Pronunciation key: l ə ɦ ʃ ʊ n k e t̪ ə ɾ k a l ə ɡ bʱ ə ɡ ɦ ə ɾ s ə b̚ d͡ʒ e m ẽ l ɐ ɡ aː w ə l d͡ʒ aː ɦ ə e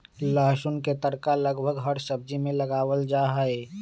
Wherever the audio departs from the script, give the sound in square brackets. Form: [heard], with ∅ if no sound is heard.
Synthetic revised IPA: l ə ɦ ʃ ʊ n k e t̪ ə ɾ k a l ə ɡ bʱ ə ɡ ɦ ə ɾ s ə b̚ d͡ʒ [i] m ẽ l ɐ ɡ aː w ə l d͡ʒ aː ɦ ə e

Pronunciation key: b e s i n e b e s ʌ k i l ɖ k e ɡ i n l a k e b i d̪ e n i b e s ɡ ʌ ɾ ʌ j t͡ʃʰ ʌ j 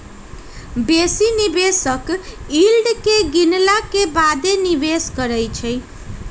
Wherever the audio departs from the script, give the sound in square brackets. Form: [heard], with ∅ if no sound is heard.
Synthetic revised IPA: b e s i n [i] b e s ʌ k i l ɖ k e ɡ i n l a k e b [a] d̪ e n i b e s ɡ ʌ ɾ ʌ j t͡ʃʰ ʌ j

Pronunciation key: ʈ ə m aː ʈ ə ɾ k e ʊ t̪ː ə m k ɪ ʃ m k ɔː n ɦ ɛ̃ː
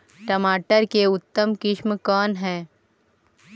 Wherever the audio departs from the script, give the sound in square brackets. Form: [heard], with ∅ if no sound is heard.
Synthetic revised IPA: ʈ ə m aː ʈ ə ɾ k e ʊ t̪ː ə m k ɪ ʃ m k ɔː n ɦ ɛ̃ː

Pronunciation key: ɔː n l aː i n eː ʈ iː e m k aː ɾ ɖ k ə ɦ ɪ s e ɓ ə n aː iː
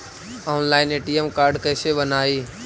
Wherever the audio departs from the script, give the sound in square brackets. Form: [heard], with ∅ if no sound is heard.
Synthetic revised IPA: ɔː n l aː [ɪ] n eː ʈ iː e m k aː ɾ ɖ k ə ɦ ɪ s e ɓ ə n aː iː

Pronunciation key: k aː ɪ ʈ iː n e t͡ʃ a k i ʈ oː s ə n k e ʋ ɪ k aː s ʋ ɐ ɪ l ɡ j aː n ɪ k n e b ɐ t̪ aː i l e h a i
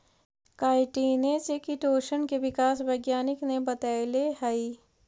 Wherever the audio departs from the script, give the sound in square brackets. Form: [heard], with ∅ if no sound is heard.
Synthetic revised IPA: k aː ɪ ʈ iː n e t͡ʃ [e] k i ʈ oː [ʃ] ə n k e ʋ ɪ k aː s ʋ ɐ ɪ [∅] ɡ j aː n ɪ k n e b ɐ t̪ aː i l e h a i

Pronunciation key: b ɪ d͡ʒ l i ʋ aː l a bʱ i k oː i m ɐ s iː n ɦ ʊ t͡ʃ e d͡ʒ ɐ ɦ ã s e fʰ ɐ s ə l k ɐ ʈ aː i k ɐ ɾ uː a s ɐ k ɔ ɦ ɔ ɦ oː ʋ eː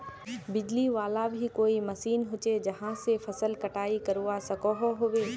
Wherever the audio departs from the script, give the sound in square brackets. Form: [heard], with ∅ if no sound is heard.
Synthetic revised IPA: b ɪ d͡ʒ l i ʋ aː l a bʱ i k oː i m ɐ s iː n ɦ ʊ t͡ʃ e d͡ʒ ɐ ɦ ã s e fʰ ɐ s ə l k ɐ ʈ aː i k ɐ ɾ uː a s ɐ k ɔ ɦ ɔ ɦ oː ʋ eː

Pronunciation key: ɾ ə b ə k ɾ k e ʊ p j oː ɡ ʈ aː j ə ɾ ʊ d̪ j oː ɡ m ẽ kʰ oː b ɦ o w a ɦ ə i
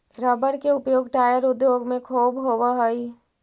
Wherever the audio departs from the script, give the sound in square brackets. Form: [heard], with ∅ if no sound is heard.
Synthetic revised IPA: ɾ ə b ə [∅] ɾ k e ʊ p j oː ɡ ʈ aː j ə ɾ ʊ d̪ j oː ɡ m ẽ kʰ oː b ɦ o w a ɦ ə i

